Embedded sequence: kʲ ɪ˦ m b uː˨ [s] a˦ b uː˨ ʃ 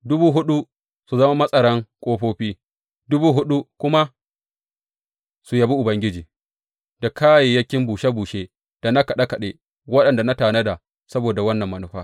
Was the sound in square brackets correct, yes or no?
no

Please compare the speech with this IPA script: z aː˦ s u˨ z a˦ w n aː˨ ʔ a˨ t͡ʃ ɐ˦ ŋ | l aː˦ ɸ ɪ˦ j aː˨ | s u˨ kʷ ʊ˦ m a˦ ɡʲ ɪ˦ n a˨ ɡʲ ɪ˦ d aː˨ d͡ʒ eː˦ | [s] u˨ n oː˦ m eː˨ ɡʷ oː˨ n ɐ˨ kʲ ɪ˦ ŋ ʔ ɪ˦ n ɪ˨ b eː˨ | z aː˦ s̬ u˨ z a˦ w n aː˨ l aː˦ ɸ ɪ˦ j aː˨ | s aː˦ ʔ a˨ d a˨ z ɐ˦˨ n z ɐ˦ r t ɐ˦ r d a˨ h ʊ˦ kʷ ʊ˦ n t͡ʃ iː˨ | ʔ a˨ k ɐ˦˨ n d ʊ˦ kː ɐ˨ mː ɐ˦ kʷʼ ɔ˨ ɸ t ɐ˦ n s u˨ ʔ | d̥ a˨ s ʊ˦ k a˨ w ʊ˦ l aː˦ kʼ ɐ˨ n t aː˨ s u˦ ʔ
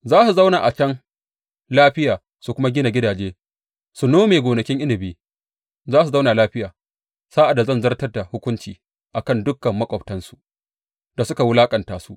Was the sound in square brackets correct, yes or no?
yes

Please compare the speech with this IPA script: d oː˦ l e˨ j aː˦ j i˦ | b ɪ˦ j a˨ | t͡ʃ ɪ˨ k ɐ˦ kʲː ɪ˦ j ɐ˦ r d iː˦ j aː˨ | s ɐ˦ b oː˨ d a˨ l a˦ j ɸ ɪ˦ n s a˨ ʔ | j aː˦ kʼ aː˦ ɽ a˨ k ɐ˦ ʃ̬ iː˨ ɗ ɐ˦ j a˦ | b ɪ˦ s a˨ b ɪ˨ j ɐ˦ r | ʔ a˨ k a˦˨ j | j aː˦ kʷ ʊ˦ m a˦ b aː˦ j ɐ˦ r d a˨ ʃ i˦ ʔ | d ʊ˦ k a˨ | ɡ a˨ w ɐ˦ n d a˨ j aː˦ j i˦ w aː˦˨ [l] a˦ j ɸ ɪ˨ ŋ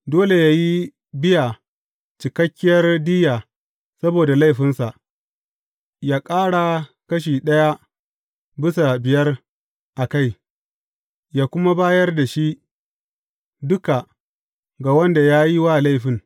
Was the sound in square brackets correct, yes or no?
yes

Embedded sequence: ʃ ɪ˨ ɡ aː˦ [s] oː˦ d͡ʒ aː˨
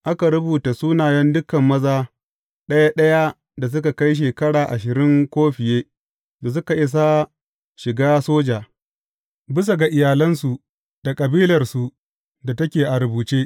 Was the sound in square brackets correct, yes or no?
yes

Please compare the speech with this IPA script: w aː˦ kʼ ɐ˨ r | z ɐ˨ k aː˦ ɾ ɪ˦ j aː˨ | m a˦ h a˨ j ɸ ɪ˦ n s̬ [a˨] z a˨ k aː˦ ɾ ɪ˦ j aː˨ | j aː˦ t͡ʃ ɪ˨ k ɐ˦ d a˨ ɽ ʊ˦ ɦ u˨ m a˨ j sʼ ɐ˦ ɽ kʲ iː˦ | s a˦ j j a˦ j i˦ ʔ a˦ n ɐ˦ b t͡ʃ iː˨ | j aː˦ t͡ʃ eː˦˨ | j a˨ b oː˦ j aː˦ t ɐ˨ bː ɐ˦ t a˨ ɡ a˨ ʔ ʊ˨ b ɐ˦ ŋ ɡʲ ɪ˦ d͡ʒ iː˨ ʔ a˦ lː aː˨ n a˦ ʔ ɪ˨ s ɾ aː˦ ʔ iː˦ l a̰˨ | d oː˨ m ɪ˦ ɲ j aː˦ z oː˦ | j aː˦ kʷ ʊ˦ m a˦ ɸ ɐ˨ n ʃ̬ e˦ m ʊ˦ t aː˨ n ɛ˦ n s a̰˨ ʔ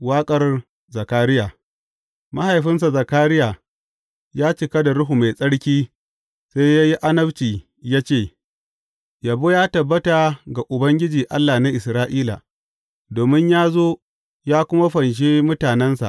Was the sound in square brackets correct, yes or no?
yes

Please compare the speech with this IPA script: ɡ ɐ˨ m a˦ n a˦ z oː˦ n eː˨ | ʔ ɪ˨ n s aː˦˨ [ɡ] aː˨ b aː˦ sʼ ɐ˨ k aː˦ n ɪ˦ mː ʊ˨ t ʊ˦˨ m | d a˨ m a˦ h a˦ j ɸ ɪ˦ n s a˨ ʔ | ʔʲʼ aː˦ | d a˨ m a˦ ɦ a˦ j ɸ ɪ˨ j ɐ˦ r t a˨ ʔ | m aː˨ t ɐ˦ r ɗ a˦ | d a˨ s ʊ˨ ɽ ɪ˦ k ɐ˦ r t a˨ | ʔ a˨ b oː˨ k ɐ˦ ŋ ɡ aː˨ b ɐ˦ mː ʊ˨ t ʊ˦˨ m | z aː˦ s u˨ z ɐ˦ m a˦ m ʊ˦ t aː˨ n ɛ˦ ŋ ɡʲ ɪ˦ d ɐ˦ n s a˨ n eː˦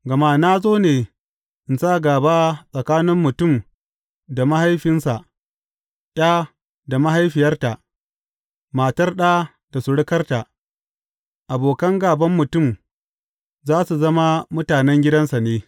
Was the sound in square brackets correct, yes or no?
yes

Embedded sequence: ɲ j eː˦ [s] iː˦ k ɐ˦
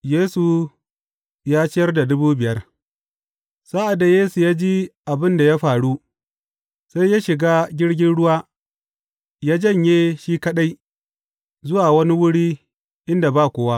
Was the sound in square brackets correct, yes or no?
no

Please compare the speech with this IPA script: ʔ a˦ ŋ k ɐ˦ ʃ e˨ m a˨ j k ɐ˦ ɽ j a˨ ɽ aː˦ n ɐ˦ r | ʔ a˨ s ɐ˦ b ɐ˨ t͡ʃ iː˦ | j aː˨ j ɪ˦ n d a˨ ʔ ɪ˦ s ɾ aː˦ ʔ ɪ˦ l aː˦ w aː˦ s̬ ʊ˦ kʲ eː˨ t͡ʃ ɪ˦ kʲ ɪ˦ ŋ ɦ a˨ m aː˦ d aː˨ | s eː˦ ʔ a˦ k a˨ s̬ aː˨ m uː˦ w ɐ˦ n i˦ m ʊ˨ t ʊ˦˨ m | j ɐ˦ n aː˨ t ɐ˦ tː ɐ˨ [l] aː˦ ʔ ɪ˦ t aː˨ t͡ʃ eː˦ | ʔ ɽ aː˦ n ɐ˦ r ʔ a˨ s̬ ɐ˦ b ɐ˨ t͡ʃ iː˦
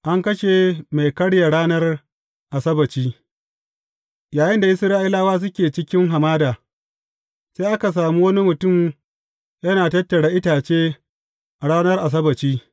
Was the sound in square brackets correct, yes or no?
no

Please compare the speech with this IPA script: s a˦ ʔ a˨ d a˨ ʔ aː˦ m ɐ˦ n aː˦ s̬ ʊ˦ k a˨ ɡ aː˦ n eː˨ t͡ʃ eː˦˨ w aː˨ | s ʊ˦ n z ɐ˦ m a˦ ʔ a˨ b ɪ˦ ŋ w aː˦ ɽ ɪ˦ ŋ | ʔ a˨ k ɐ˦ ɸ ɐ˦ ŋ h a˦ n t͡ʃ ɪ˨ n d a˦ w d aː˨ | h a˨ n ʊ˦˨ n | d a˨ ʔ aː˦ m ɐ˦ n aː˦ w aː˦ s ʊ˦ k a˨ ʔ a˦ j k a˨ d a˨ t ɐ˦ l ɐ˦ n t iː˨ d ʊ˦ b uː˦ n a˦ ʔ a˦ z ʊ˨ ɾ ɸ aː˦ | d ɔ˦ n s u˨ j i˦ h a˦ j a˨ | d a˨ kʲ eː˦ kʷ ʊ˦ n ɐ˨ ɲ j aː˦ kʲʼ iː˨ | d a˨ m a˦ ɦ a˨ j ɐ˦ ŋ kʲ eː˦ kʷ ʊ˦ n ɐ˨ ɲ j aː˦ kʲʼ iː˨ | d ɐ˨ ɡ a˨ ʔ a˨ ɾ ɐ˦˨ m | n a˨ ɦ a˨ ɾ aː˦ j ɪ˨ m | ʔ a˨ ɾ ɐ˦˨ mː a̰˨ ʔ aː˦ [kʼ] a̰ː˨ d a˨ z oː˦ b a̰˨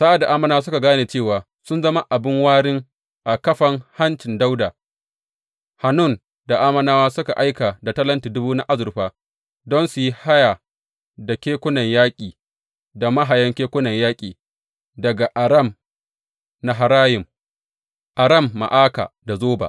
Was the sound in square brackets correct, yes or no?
no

